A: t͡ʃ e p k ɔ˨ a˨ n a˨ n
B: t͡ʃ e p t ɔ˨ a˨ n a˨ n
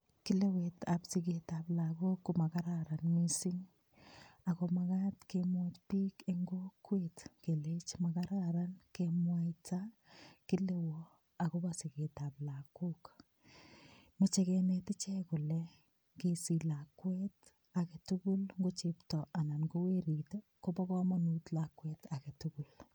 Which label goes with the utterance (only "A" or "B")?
B